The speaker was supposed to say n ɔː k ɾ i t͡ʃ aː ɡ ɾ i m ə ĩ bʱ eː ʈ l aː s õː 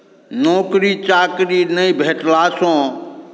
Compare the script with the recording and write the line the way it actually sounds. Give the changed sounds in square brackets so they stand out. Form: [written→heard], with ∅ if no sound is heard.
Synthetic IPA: n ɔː k ɾ i t͡ʃ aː [ɡ→k] ɾ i [m→n] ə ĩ bʱ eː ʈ l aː s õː